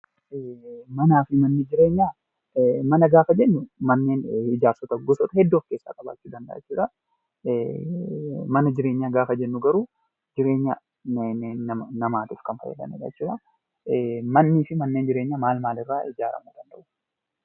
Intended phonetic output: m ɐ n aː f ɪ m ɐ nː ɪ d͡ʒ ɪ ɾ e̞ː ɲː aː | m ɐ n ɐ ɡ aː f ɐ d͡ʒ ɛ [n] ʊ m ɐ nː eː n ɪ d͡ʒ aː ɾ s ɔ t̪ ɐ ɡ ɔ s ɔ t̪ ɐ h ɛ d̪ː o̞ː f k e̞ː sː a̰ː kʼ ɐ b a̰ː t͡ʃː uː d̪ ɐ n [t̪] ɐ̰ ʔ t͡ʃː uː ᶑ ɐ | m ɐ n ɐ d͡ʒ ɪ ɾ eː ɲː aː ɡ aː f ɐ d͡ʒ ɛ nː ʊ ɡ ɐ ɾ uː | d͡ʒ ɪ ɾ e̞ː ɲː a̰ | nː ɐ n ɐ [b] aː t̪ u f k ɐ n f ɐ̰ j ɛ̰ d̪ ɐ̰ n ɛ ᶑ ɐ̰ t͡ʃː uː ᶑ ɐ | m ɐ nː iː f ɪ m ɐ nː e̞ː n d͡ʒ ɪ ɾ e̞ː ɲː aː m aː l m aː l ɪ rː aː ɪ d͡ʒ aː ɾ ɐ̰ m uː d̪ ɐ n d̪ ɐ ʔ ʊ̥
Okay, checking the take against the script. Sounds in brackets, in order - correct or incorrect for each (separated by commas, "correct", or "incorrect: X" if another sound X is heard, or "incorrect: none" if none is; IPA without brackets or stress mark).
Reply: incorrect: nː, incorrect: d̪, incorrect: m